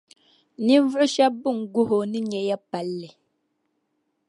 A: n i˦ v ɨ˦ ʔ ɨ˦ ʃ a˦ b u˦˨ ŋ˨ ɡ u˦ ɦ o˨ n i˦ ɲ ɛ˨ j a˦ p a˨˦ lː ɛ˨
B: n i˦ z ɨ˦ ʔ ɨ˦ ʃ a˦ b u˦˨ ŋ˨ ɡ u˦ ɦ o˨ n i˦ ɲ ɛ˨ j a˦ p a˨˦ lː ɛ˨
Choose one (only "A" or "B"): A